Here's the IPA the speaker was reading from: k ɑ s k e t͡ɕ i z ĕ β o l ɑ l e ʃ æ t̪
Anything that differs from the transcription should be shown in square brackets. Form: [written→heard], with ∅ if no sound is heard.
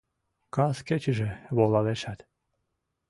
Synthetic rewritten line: k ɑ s k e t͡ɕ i [z→ʒ] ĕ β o l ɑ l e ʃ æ t̪